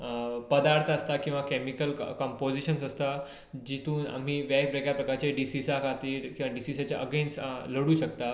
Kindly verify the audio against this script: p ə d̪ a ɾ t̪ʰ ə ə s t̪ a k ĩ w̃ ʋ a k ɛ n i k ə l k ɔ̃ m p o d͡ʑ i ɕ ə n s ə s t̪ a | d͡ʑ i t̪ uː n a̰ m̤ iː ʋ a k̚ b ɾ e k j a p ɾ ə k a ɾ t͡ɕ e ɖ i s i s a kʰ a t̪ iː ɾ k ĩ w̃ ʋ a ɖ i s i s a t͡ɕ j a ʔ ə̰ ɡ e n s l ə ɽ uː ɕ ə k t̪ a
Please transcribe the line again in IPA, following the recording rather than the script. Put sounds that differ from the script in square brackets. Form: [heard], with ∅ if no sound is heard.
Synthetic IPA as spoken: p ə d̪ a ɾ t̪ʰ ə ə s t̪ a k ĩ w̃ ʋ a k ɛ [m] i k ə l k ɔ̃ m p o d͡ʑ i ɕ ə n s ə s t̪ a | d͡ʑ i t̪ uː n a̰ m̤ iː ʋ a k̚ b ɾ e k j a p ɾ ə k a ɾ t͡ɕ e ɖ i s i s a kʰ a t̪ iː ɾ k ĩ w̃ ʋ a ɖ i s i s a t͡ɕ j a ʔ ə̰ ɡ e n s l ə ɽ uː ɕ ə k t̪ a